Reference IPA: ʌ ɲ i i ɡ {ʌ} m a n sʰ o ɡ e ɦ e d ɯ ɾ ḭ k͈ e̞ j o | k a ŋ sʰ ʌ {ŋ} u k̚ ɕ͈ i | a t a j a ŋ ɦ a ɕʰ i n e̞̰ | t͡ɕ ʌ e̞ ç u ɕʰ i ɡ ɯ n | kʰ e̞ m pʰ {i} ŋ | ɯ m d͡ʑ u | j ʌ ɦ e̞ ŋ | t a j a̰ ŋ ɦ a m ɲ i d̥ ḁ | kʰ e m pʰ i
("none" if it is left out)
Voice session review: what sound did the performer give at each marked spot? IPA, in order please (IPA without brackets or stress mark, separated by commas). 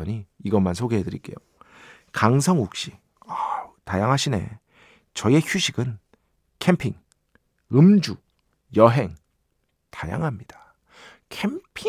ʌ, ŋ, i